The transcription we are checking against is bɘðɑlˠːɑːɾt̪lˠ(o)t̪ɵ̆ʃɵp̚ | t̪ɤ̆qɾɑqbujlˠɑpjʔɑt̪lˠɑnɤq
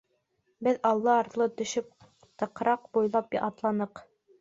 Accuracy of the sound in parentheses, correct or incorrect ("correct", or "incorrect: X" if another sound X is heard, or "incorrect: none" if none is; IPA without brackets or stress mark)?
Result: incorrect: ɤ